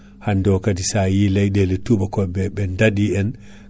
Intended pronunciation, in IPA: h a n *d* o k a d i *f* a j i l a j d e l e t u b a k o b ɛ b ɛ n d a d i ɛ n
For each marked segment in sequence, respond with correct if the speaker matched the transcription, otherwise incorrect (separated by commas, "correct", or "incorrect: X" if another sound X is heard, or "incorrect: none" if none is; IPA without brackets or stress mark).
correct, incorrect: s